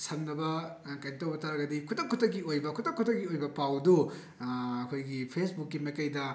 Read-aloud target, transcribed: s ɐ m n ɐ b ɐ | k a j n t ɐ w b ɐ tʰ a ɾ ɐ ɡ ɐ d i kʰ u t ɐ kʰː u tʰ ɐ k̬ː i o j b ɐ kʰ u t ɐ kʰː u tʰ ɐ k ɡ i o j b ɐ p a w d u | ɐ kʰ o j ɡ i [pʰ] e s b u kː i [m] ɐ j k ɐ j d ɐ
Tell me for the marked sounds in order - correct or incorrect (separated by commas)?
correct, correct